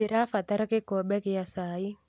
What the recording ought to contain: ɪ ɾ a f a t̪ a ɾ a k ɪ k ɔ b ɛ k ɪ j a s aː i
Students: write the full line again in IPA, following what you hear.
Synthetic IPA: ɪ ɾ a f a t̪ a ɾ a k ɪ k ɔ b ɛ k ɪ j a s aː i